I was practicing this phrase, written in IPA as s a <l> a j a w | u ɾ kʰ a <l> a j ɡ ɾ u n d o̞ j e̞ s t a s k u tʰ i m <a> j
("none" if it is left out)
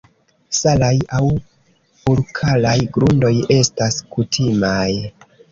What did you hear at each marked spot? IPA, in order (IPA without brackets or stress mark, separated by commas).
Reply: l, l, a